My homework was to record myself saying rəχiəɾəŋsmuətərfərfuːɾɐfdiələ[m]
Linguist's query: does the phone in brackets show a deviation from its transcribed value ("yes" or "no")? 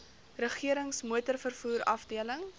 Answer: yes